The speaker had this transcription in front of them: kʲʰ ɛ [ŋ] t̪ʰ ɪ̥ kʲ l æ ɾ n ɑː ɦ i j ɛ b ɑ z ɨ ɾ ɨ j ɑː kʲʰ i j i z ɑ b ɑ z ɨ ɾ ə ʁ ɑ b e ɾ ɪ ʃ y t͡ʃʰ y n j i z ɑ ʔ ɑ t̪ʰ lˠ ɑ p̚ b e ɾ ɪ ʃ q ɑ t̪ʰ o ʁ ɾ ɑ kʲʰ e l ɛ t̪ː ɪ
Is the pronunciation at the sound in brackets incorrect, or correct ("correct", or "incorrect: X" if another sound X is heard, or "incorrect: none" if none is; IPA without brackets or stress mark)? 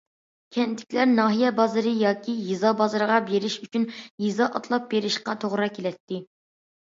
incorrect: n